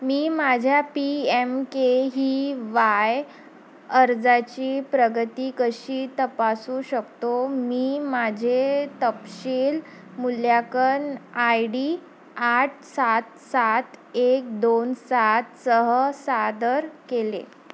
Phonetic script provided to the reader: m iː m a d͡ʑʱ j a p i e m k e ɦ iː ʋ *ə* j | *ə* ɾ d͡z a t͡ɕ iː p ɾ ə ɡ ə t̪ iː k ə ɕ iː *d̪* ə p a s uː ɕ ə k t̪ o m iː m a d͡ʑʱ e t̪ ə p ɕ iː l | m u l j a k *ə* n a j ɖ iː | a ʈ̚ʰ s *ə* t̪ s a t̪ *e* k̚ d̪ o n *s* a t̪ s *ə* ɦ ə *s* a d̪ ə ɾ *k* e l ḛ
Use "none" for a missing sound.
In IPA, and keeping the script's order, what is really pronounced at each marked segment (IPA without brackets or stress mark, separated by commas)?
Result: a, ə, t̪, ə, a, e, s, ə, s, k